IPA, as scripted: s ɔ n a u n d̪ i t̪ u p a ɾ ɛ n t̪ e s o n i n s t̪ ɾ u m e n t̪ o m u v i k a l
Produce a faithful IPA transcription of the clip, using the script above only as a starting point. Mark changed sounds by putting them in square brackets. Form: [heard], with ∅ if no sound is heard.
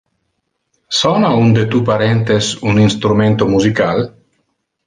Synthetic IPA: s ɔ n a u n d̪ [e] t̪ u p a ɾ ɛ n t̪ e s [u] n i n s t̪ ɾ u m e n t̪ o m u [z] i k a l